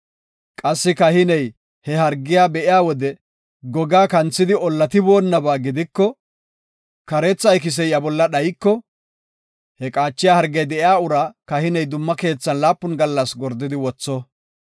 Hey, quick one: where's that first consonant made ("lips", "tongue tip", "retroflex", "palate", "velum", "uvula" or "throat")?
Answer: velum